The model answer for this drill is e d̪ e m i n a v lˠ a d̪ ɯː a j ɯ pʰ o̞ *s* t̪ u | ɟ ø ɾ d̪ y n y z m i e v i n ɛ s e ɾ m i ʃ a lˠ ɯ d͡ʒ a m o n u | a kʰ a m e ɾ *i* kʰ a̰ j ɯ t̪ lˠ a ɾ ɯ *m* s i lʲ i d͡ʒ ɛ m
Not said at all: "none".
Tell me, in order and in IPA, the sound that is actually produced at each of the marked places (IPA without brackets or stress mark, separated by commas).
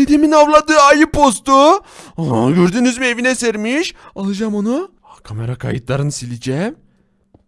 s, a, n